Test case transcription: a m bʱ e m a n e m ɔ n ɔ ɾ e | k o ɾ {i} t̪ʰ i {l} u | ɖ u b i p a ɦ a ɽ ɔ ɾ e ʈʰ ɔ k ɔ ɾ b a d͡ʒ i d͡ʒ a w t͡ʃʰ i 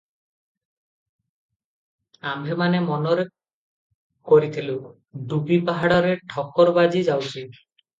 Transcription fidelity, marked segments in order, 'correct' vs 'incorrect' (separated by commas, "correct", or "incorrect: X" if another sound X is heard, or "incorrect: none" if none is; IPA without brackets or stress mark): correct, correct